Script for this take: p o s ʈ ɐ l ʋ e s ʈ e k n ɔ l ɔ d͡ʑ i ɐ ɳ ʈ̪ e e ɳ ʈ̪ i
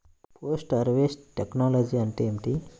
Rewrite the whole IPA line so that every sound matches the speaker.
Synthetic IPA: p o s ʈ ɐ ɾ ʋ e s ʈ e k n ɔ l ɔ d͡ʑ i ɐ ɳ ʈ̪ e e m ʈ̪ i